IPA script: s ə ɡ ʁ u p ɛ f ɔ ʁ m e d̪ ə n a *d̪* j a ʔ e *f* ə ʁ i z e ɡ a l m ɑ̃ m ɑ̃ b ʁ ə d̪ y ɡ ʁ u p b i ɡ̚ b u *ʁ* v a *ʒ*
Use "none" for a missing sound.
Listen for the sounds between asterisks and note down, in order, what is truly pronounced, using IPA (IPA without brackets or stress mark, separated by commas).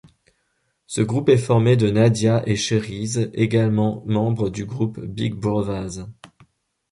d̪, ʃ, ʁ, z